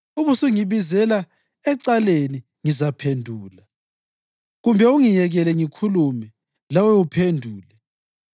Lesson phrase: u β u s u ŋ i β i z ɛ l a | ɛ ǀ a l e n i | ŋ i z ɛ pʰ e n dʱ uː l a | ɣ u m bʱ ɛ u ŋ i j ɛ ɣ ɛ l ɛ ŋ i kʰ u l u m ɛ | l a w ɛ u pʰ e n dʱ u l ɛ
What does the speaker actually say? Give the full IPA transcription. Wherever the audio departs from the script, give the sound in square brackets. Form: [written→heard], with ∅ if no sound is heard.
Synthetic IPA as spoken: u β u s u ŋ i β i z ɛ l a | ɛ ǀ a l e n i | ŋ i z [ɛ→a] pʰ e n dʱ uː l a | ɣ u m bʱ ɛ u ŋ i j ɛ ɣ ɛ l ɛ ŋ i kʰ u l u m ɛ | l a w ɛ u pʰ e n dʱ [u→uː] l ɛ